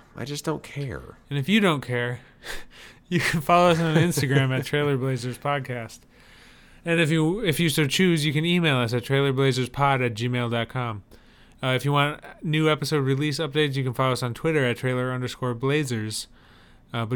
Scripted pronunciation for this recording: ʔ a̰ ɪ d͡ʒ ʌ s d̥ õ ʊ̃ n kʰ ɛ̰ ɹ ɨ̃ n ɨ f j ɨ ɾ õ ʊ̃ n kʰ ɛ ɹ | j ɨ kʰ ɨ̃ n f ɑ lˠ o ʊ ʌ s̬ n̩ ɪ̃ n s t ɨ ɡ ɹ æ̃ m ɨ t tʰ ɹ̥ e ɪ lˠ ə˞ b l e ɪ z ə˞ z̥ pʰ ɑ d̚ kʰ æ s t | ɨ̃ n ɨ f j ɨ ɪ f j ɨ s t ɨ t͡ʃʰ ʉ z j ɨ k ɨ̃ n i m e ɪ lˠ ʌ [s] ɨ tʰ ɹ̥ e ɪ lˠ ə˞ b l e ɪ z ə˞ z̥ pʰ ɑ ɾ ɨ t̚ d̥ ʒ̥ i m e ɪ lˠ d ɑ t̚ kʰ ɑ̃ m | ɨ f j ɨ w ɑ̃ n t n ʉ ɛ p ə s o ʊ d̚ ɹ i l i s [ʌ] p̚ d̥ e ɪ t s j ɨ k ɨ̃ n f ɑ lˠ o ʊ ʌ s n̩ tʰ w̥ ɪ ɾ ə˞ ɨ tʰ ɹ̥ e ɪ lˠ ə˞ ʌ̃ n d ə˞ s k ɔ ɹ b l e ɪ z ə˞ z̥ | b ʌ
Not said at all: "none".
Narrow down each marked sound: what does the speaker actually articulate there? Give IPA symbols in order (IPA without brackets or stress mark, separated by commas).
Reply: s, ʌ